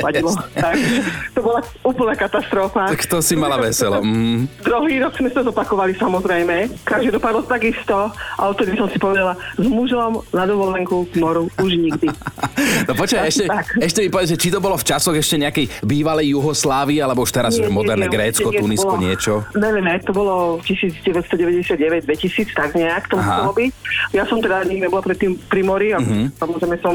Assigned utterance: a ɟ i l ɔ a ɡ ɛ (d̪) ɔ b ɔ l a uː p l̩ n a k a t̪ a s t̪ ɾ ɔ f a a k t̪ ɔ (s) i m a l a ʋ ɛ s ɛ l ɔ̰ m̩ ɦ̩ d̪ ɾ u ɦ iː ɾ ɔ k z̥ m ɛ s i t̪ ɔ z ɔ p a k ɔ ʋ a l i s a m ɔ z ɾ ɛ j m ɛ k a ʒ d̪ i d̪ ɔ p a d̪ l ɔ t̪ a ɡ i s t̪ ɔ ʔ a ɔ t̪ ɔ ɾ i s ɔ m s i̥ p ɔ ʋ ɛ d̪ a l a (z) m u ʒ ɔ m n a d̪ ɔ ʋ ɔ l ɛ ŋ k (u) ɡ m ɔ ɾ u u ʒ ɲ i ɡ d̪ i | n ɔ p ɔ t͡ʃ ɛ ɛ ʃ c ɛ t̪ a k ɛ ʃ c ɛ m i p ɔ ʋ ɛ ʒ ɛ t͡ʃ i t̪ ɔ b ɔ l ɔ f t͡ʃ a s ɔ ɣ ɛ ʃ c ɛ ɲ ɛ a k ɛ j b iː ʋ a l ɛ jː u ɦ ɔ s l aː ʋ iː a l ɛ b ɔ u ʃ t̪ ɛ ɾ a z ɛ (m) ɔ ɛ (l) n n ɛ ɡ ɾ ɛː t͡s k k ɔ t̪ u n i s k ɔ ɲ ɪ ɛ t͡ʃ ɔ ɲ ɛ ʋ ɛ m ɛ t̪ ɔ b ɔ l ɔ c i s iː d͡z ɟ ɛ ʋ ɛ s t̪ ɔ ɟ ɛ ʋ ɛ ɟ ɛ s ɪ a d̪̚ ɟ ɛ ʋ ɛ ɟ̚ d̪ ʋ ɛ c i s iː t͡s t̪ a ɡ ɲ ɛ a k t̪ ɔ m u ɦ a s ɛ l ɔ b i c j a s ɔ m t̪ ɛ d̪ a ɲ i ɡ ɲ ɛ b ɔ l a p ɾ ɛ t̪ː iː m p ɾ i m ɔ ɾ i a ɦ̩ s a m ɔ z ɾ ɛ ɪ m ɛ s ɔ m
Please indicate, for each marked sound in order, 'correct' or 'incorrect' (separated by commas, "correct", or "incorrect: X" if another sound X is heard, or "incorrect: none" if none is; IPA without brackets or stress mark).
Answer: incorrect: t̪, correct, correct, correct, correct, incorrect: ɾ